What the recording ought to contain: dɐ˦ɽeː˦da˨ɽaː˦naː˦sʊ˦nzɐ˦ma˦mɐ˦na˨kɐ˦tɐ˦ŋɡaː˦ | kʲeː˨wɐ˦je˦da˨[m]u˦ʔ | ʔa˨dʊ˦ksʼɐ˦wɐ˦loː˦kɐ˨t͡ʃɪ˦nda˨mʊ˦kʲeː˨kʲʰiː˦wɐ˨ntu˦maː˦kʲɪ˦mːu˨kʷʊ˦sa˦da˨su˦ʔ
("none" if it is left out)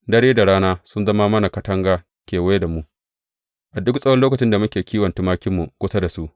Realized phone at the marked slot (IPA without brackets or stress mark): m